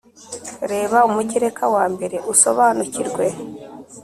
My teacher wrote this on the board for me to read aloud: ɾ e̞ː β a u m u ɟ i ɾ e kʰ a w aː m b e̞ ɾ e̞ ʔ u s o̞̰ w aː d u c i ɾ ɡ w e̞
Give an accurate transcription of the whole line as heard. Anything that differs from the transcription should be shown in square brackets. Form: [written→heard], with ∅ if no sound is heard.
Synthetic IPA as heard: ɾ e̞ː β a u m u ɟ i ɾ e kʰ a w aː m b e̞ ɾ e̞ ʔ u s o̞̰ [w→β] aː [d→n] u c i ɾ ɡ w e̞